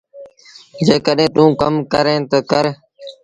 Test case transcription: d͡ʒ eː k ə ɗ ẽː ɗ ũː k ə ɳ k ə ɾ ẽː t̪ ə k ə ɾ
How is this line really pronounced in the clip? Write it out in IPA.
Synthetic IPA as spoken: d͡ʒ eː k ə ɗ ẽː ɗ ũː k ə m k ə ɾ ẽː t̪ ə k ə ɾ

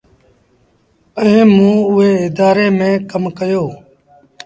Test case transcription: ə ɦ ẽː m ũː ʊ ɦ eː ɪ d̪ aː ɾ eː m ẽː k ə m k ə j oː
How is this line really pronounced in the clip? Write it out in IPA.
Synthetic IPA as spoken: ə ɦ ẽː m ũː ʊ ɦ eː ɪ d̪ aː ɾ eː m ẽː k ə m k ə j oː

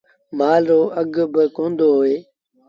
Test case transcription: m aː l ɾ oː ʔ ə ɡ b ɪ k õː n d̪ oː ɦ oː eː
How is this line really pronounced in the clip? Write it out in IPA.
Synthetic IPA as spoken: m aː l ɾ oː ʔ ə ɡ b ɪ k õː n d̪ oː ɦ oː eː

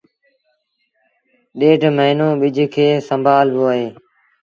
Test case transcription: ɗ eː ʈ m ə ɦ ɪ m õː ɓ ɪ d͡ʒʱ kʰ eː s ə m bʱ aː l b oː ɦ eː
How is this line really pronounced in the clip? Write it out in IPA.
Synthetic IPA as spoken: ɗ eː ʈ m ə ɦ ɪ n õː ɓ ɪ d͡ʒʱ kʰ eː s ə m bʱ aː l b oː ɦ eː

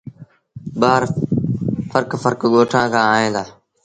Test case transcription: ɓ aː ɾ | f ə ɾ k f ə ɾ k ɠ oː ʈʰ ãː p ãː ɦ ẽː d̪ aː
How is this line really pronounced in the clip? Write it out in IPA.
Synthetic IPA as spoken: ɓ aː ɾ | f ə ɾ k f ə ɾ k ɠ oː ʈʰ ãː k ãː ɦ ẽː d̪ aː

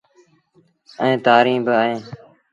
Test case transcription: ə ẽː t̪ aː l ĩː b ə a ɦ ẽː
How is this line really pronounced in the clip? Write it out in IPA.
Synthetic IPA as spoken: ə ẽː t̪ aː ɾ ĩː b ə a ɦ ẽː

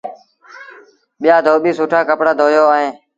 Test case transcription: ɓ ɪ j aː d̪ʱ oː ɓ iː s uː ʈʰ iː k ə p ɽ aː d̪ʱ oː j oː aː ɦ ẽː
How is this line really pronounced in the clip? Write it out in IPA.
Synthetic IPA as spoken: ɓ ɪ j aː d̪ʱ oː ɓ iː s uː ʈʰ aː k ə p ɽ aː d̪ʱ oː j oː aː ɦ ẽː

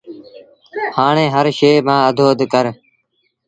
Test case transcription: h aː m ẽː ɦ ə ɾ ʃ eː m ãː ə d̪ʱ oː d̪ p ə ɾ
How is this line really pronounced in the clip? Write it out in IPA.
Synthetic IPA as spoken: h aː ɳ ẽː ɦ ə ɾ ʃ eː m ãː ə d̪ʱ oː d̪ k ə ɾ

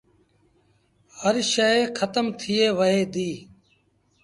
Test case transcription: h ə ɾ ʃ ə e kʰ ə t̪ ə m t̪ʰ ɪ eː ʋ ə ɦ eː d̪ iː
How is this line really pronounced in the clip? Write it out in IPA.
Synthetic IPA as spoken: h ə ɾ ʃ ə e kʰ ə t̪ ə m t̪ʰ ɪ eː ʋ ə ɦ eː d̪ iː

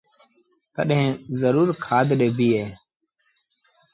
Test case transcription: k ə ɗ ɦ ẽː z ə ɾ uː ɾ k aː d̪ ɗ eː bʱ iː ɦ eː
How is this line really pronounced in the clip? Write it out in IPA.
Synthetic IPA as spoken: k ə ɗ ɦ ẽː z ə ɾ uː ɾ kʰ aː d̪ ɗ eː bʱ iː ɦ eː

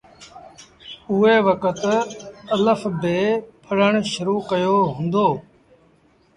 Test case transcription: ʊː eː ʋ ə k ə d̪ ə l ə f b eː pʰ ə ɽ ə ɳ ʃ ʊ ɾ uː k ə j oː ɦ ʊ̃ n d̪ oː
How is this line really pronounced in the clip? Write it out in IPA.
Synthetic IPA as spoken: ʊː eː ʋ ə k ə t̪ ə l ə f b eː pʰ ə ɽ ə ɳ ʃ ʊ ɾ uː k ə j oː ɦ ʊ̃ n d̪ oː

